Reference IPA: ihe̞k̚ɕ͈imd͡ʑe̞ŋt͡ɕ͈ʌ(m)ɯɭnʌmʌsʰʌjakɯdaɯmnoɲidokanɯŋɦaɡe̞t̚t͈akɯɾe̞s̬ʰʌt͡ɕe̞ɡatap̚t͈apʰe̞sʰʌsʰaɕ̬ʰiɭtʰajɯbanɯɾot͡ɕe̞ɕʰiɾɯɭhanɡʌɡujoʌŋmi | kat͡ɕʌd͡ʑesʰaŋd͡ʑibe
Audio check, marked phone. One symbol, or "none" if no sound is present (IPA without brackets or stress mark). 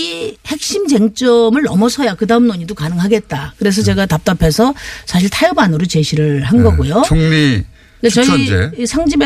m